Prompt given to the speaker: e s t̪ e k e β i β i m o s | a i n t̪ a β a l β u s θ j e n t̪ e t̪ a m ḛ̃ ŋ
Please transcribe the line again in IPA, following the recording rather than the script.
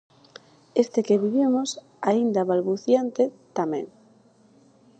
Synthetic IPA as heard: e s t̪ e k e β i β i m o s | a i n d̪ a β a l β u θ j a n t̪ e t̪ a m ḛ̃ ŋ